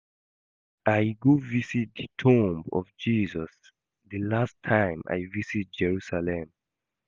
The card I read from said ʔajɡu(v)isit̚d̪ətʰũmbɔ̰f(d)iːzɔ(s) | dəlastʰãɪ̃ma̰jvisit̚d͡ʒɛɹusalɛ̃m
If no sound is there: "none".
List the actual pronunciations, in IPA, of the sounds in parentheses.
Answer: v, d͡ʒ, s

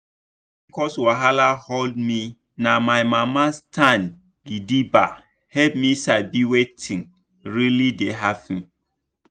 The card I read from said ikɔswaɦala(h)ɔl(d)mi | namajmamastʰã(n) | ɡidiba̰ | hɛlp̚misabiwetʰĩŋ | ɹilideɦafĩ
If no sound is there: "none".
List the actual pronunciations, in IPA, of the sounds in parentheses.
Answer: h, d, n

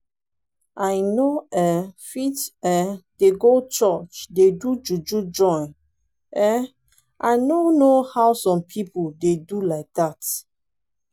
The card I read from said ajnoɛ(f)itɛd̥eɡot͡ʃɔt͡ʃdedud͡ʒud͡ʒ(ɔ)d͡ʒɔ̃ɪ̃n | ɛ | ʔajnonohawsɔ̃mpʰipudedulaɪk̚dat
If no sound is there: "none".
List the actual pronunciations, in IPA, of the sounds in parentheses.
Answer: f, u

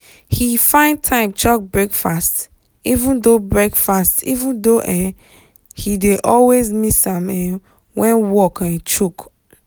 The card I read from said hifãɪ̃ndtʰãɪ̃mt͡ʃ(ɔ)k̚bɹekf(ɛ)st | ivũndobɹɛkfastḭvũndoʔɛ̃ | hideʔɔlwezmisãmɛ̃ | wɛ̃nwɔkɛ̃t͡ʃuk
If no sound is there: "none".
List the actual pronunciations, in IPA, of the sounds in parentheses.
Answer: ɔ, a

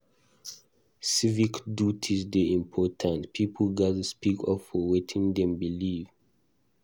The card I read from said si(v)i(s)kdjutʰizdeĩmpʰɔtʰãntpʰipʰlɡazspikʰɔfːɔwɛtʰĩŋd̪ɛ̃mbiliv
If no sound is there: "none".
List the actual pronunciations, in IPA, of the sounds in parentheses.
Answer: v, none

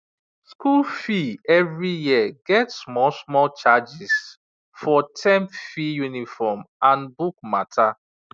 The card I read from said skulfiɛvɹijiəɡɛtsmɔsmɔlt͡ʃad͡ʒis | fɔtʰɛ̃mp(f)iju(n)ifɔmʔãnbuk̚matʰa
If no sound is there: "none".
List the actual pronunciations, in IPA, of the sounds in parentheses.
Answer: f, n

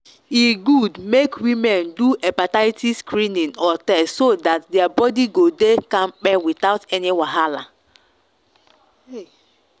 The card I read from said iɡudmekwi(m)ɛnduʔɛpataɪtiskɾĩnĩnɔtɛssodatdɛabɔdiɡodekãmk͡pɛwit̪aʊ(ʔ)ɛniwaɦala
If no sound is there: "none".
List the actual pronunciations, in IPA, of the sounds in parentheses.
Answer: m, t

